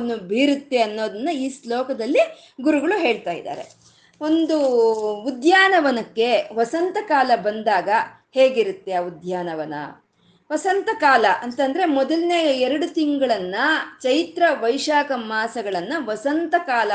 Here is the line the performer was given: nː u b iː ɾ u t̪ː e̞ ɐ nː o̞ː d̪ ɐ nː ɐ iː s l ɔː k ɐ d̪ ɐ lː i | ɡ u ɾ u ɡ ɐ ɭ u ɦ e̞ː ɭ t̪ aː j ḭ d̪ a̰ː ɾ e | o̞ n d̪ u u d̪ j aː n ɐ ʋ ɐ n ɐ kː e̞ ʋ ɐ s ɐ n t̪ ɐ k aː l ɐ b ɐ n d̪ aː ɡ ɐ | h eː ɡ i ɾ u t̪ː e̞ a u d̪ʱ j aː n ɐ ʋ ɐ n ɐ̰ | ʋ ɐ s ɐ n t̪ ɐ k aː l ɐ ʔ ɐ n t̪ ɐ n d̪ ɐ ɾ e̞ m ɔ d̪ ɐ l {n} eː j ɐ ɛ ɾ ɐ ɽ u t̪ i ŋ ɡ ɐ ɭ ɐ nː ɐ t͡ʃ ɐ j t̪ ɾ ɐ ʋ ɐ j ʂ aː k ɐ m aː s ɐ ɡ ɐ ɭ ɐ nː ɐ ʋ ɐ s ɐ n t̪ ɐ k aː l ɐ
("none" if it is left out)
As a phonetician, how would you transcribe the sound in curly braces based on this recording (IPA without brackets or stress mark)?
n